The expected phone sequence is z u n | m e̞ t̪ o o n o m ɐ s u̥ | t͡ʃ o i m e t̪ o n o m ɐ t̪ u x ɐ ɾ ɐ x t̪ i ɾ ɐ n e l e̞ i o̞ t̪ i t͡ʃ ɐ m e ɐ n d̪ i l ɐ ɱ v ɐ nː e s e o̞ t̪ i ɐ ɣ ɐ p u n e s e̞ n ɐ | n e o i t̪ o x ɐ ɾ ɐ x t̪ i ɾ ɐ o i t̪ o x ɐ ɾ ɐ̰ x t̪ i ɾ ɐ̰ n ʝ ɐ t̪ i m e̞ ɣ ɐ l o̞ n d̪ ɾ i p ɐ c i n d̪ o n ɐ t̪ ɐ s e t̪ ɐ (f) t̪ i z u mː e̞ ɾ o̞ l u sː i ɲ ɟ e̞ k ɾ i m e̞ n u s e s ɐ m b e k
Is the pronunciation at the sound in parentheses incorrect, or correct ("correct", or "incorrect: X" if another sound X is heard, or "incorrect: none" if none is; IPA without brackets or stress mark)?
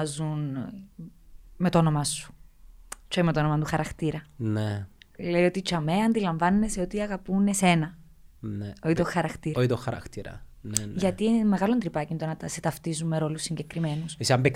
correct